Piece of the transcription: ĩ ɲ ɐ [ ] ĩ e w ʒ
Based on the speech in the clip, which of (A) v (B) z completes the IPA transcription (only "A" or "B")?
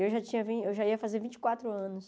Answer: A